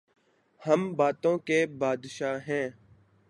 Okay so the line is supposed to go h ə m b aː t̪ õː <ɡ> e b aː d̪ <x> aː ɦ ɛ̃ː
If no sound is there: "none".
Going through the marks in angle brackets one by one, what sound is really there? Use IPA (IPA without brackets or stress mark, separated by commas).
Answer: k, ʃ